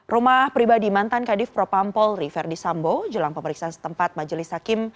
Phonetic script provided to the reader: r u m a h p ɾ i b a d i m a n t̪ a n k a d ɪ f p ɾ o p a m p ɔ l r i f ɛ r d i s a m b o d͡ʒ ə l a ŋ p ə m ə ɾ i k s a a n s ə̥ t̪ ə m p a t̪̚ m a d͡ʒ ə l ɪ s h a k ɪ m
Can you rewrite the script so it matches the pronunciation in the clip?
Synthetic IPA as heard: r u m a h p ɾ i b a d i m a n t̪ a n k a d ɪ f p ɾ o p a m p ɔ l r i f ɛ r d i s a m b o d͡ʒ ə l a ŋ p ə m ə ɾ i k s a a n s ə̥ t̪ ə m p a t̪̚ m a d͡ʒ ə l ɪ s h a k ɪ m